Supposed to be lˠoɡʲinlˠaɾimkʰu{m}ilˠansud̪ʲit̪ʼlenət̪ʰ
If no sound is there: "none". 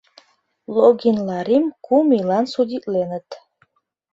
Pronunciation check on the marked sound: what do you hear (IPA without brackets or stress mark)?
m